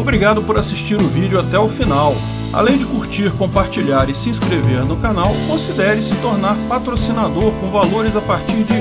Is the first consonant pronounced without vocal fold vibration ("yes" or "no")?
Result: no